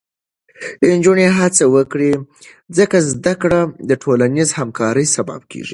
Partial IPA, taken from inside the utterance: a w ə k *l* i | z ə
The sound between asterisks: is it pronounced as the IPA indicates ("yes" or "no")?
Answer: no